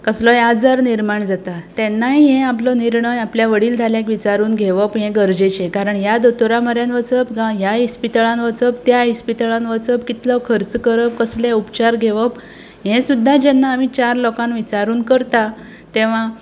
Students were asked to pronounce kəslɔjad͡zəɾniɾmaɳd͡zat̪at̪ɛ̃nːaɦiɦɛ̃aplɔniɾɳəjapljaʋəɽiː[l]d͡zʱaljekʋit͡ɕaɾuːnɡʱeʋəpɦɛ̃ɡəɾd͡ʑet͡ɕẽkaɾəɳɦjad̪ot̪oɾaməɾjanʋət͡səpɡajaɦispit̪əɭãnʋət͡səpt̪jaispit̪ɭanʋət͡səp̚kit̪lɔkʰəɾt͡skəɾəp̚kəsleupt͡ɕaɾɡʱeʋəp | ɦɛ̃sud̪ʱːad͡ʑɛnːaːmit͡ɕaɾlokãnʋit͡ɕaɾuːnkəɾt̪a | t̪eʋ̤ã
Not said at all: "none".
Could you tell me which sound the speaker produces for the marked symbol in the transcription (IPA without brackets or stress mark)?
l